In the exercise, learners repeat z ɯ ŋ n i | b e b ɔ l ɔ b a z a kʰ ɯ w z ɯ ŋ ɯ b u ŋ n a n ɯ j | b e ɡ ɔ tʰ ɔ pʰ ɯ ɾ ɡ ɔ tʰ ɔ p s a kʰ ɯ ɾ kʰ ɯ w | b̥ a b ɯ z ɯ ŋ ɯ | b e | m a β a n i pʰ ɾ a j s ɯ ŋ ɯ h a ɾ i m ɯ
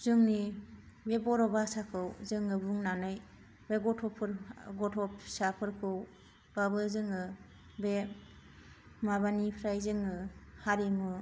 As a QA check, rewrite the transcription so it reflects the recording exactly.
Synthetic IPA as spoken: z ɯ ŋ n i | b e b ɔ ɾ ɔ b a s a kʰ ɯ w z ɯ ŋ ɯ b u ŋ n a n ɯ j | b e ɡ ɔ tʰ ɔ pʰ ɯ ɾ ɡ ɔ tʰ ɔ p s a pʰ ɯ ɾ kʰ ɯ w | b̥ a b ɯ z ɯ ŋ ɯ | b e | m a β a n i pʰ ɾ a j z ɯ ŋ ɯ h a ɾ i m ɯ